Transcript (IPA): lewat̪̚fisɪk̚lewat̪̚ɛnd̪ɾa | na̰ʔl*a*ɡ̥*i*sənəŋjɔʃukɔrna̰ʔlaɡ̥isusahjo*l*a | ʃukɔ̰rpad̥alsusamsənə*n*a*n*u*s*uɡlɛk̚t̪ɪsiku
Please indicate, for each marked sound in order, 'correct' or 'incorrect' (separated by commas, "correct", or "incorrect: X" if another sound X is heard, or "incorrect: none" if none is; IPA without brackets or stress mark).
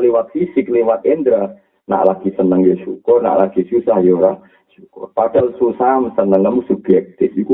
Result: correct, correct, incorrect: ɾ, incorrect: ŋ, incorrect: m, correct